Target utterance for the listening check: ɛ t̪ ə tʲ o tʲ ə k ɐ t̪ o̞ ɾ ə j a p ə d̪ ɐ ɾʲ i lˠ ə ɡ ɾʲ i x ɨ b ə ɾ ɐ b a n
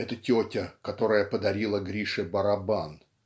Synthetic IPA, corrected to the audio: ɛ t̪ ə tʲ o tʲ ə k ɐ t̪ o̞ ɾ ə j ə p ə d̪ ɐ ɾʲ i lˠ ə ɡ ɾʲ i ʂ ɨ b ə ɾ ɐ b a n